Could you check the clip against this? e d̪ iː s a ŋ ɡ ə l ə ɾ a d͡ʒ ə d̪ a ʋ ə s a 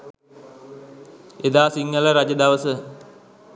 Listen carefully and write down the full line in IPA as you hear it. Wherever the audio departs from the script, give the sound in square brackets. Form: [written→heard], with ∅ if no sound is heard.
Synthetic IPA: e d̪ [iː→aː] s [a→i] ŋ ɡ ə l ə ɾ a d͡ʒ ə d̪ a ʋ ə s [a→ə]